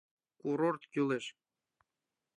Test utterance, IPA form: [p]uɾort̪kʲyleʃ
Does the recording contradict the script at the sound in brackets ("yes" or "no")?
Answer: yes